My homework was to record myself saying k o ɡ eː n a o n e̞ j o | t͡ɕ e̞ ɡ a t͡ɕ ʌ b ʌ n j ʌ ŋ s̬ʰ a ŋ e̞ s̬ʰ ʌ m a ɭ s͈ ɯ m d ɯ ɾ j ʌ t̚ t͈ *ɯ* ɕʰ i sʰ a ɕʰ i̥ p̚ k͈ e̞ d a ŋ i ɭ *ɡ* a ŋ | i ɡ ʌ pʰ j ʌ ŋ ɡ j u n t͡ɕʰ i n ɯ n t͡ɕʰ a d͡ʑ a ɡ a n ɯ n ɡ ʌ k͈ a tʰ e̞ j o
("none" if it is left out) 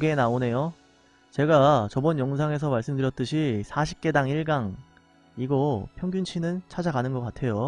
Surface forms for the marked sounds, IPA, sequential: ɯ, ɡ

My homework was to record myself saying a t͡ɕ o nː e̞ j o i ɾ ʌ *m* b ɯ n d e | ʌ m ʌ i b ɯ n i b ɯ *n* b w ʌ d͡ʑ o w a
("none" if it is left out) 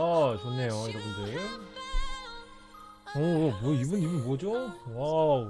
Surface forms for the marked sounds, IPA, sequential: none, n

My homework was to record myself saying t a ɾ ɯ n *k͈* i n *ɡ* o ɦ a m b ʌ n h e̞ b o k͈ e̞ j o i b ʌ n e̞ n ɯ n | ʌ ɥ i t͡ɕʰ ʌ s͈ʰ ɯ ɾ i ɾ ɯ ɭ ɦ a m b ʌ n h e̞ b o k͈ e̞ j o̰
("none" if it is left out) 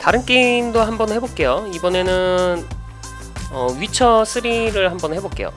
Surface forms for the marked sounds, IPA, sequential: k͈, d

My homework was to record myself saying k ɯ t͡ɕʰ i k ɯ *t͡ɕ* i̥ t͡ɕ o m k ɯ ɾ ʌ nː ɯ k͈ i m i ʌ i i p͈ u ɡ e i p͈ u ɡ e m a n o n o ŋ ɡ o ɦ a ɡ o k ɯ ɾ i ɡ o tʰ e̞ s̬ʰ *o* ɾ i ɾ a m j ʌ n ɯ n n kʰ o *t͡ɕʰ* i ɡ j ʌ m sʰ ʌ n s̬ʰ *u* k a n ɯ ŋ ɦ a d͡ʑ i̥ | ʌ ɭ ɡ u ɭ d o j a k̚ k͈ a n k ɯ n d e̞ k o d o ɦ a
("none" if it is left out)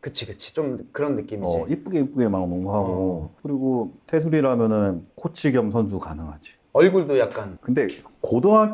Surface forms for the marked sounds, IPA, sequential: t͡ɕʰ, u, t͡ɕʰ, u

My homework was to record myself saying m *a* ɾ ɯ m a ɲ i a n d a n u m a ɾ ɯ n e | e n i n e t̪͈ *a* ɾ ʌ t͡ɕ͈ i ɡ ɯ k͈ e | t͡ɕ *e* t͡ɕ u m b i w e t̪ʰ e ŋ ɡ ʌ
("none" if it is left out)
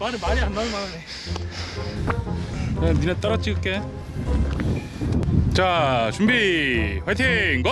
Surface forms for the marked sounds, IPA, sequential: a, ʌ, a

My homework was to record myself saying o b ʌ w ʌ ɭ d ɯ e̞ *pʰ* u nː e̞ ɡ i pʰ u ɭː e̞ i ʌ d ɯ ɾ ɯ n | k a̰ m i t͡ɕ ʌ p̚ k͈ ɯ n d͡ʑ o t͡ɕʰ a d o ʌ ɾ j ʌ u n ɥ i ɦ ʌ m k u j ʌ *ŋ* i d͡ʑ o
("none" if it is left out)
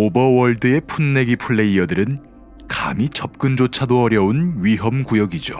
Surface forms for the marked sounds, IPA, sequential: pʰ, ɡ

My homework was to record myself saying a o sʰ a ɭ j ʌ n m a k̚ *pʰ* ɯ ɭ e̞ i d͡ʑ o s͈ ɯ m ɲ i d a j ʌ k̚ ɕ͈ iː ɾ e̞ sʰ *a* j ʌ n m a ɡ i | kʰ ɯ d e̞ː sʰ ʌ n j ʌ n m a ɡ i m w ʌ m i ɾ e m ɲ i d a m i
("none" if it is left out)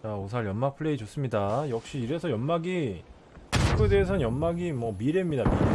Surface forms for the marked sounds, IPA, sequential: pʰ, ʌ

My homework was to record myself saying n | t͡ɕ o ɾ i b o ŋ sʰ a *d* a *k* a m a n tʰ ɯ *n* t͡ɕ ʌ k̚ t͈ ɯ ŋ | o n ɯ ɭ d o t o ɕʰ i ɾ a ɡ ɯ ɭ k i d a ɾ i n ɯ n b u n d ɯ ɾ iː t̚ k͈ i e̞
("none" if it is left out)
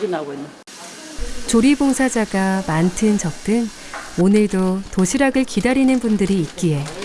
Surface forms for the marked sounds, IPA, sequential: d͡ʑ, ɡ, n

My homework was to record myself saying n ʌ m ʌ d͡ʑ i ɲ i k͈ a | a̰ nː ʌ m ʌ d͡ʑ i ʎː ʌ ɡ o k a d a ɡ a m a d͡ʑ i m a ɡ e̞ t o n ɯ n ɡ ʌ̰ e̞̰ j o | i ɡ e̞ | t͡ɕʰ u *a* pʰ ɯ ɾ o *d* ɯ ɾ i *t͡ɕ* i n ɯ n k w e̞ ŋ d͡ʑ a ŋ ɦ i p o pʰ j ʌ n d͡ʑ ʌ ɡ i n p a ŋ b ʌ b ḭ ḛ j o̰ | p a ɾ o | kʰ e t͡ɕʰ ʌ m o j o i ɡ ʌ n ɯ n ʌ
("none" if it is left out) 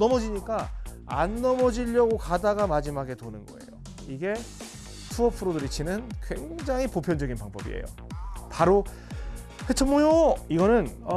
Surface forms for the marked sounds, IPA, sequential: ʌ, d, t͡ɕʰ

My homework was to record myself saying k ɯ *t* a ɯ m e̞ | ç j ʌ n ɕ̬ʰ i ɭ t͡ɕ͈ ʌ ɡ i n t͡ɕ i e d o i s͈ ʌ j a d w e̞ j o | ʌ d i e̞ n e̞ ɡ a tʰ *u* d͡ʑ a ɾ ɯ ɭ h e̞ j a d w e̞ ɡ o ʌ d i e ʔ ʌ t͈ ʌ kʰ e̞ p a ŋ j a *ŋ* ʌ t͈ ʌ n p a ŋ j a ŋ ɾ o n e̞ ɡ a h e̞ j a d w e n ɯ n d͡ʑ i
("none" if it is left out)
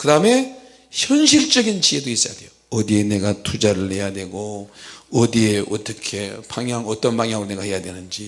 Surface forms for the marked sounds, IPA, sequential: d, u, ŋ

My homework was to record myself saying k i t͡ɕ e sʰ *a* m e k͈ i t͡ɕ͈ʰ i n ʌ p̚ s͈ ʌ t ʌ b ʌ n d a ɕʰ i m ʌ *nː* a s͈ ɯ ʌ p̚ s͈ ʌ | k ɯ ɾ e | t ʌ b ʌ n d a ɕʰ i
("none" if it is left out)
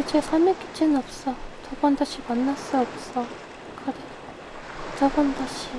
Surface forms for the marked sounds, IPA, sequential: a, nː

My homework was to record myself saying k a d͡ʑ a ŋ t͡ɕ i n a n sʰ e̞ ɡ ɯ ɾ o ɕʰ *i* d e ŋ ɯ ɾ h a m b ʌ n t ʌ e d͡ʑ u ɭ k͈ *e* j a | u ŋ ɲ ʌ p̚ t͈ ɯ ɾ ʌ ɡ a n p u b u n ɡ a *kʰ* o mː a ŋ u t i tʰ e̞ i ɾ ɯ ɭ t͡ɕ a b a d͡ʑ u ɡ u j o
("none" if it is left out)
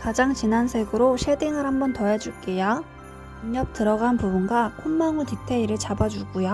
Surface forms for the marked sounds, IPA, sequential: e, e, kʰ

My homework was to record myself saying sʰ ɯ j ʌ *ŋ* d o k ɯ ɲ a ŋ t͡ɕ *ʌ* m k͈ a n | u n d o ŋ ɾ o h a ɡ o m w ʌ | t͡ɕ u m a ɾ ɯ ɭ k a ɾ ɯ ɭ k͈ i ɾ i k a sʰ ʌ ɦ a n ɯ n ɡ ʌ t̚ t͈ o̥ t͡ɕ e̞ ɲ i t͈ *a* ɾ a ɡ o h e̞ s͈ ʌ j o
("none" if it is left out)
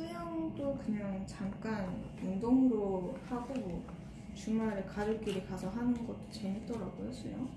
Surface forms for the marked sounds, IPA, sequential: ŋ, a, ʌ

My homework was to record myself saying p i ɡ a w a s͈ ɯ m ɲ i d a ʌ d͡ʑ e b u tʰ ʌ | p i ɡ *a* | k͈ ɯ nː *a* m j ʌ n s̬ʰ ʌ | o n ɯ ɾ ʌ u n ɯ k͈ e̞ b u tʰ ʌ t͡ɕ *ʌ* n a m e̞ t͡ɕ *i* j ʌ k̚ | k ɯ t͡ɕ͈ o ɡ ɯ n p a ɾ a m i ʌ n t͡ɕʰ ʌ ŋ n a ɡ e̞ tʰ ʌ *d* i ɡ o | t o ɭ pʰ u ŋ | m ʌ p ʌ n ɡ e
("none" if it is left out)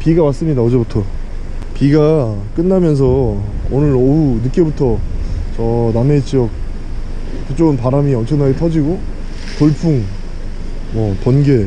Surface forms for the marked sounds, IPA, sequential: a, a, ʌ, i, d͡ʑ

